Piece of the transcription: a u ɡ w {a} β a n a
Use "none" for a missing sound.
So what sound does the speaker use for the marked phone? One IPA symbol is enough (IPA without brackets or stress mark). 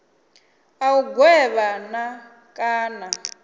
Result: ɛ